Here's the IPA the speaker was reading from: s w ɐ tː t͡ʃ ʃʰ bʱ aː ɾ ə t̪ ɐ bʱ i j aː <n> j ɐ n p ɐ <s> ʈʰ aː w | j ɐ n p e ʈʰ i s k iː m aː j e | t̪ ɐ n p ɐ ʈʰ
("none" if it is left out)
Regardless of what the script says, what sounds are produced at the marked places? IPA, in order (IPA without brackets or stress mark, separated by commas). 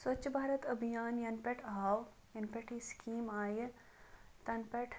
n, none